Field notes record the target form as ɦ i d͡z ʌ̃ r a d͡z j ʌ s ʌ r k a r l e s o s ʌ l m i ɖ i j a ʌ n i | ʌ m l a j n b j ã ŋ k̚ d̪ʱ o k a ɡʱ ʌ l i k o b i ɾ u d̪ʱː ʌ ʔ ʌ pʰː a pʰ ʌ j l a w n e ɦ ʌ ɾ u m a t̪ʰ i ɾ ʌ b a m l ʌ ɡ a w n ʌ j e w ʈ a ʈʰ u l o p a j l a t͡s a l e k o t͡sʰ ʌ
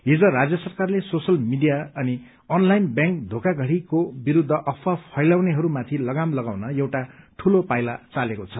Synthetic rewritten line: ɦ i d͡z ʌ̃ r a d͡z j ʌ s ʌ r k a r l e s o s ʌ l m i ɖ i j a ʌ n i | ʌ n l a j n b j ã ŋ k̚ d̪ʱ o k a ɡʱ ʌ ɽ i k o b i ɾ u d̪ʱː ʌ ʔ ʌ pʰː a pʰ ʌ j l a w n e ɦ ʌ ɾ u m a t̪ʰ i l ʌ ɡ a m l ʌ ɡ a w n ʌ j e w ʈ a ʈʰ u l o p a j l a t͡s a l e k o t͡sʰ ʌ